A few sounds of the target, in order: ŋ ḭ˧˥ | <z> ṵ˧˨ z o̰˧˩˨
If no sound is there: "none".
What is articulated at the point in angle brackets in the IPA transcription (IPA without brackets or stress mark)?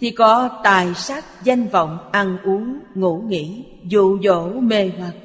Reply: z